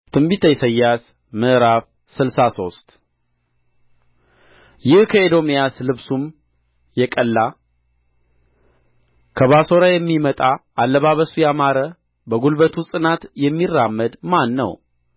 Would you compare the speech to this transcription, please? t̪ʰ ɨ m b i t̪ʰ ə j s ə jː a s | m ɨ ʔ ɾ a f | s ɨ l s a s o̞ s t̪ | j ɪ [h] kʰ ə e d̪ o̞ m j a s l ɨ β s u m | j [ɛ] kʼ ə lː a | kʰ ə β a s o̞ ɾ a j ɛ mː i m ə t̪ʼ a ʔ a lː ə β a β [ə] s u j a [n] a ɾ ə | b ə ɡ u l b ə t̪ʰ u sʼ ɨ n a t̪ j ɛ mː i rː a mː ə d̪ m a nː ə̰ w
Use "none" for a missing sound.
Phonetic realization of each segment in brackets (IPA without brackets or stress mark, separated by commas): h, ɛ, ə, m